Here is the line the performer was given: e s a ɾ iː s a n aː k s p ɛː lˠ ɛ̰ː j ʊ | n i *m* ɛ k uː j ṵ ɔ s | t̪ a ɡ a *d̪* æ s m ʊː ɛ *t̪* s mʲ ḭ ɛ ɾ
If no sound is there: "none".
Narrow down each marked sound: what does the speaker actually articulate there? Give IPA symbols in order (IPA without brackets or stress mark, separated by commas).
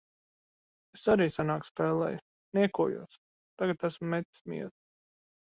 none, t̪, t̪